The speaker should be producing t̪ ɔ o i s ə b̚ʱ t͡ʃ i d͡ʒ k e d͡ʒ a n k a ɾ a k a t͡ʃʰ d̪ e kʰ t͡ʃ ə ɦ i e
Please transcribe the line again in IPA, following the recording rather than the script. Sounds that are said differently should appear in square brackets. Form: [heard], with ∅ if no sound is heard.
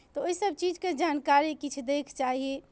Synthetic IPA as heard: t̪ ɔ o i s ə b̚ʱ t͡ʃ i d͡ʒ k e d͡ʒ a n k a ɾ [i] k [i] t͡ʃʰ d̪ e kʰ t͡ʃ [a] ɦ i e